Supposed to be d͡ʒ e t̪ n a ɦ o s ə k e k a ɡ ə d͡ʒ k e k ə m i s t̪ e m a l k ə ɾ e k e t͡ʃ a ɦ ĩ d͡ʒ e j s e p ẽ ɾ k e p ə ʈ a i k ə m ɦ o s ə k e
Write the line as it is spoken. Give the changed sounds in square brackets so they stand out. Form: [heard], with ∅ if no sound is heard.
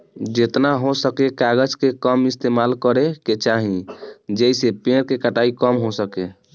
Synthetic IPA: d͡ʒ e t̪ n a ɦ o s ə k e k a ɡ ə d͡ʒ k e k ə m i s t̪ e m a l k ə ɾ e k e t͡ʃ a ɦ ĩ d͡ʒ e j s e p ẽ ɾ k e [k] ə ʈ a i k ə m ɦ o s ə k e